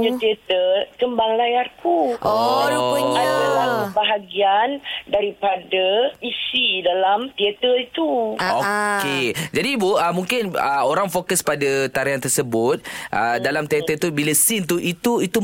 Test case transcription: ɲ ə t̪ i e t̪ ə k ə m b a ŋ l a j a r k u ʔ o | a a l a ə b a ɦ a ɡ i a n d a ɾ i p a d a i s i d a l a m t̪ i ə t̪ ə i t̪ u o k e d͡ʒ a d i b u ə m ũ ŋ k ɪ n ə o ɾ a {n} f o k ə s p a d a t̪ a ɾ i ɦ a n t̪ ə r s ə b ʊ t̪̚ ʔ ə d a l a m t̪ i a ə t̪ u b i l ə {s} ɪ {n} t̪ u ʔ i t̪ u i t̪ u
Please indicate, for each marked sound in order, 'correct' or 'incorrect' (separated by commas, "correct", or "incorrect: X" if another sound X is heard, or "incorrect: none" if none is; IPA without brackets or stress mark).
incorrect: ŋ, correct, correct